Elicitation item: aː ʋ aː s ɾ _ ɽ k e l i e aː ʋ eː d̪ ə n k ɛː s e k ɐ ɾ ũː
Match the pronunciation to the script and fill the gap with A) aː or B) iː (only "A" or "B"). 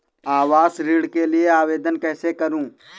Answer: B